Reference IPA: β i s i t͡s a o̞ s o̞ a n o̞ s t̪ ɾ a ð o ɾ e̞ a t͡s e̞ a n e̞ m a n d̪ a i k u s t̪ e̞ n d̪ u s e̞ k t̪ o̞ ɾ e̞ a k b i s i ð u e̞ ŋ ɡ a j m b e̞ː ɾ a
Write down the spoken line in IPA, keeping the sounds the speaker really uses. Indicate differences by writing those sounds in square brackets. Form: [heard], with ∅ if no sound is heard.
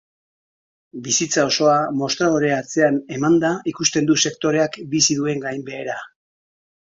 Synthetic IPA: [b] i s i t͡s a o̞ s o̞ a [m] o̞ s t̪ ɾ a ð o ɾ e̞ a t͡s e̞ a n e̞ m a n d̪ a i k u s t̪ e̞ n d̪ u s e̞ k t̪ o̞ ɾ e̞ a k b i s i ð u e̞ ŋ ɡ a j m b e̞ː ɾ a